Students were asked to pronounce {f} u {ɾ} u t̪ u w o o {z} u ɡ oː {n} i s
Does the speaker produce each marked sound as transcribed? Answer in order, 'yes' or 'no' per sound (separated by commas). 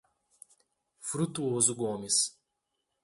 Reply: yes, yes, yes, no